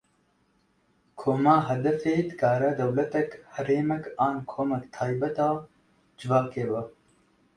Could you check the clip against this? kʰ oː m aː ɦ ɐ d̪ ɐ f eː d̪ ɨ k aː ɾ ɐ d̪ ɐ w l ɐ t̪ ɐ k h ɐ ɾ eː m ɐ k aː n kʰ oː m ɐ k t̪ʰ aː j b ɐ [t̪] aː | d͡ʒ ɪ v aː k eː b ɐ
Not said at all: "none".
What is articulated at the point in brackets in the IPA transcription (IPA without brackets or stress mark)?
t̪